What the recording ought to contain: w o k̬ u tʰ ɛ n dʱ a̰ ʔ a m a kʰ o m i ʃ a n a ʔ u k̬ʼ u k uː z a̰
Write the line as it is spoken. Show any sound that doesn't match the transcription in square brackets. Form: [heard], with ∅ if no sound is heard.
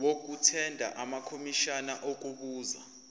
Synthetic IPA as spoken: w o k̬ u tʰ ɛ n dʱ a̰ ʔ a m a kʰ o m i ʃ a n a ʔ [o] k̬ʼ u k uː z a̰